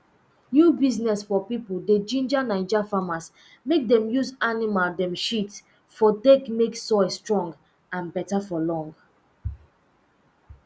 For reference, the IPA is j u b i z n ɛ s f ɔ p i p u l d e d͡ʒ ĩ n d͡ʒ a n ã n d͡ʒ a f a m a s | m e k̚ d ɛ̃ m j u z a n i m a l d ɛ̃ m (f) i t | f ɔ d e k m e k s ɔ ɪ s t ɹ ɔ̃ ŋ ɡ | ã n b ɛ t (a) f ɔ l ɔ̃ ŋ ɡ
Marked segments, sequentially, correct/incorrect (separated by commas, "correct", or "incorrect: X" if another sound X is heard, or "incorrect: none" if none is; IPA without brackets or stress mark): incorrect: ʃ, correct